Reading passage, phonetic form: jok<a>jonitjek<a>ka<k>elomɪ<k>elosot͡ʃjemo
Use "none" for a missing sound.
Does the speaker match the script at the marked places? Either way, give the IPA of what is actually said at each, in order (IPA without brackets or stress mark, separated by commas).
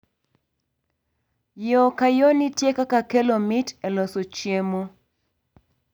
a, a, k, t